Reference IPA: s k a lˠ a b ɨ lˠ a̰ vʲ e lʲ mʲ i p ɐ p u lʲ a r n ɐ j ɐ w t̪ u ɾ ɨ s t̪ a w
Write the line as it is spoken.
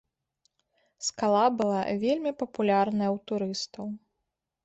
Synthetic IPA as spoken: s k a lˠ a b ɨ lˠ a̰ vʲ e lʲ mʲ i p ɐ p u lʲ a r n ɐ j ɐ w t̪ u ɾ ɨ s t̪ ɐ w